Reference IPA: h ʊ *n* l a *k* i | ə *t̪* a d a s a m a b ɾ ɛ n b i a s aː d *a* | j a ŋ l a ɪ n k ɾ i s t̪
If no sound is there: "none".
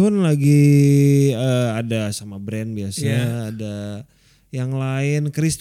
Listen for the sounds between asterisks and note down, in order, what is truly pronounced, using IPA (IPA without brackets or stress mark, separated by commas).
n, ɡ, none, a